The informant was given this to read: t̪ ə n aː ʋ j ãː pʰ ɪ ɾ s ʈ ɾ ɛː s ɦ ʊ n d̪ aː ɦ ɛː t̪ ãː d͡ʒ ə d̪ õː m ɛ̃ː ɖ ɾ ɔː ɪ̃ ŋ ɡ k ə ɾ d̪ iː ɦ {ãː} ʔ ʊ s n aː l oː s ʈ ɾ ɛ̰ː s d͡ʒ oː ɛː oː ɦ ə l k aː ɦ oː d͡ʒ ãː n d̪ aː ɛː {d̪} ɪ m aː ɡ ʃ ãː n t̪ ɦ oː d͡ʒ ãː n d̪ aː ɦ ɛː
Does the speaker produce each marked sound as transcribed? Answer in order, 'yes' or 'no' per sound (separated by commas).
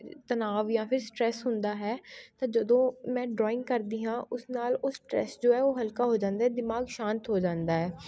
yes, yes